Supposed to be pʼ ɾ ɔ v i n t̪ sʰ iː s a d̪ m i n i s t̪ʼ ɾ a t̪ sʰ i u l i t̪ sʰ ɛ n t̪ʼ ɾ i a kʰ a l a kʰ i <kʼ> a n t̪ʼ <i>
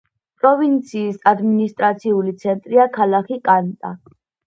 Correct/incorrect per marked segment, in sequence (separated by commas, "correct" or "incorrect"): correct, incorrect